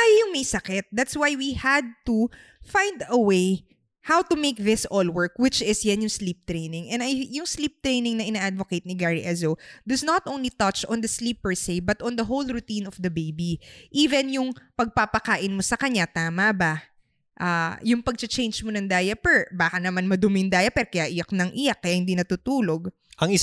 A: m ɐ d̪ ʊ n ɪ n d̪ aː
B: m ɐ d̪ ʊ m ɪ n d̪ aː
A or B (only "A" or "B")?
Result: B